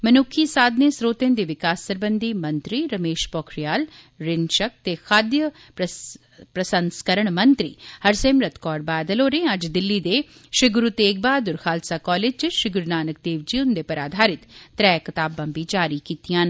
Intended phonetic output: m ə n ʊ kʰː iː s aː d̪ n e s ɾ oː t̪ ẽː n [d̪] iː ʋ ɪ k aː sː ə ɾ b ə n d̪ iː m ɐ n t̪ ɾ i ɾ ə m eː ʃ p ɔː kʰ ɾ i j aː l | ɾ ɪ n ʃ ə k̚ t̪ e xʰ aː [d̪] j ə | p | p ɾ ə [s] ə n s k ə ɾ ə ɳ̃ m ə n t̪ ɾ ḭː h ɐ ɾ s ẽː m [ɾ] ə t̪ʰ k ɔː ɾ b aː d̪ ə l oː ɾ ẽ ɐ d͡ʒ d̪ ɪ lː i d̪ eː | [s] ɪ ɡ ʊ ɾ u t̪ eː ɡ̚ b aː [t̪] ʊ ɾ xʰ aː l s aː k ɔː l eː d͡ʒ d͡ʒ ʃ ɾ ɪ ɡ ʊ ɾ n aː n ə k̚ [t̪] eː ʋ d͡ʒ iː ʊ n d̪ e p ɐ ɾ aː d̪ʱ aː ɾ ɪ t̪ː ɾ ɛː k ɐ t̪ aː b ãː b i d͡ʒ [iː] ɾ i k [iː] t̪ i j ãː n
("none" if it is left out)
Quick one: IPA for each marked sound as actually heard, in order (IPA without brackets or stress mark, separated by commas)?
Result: d̪, d̪, s, ɾ, ʃ, d̪, d̪, aː, iː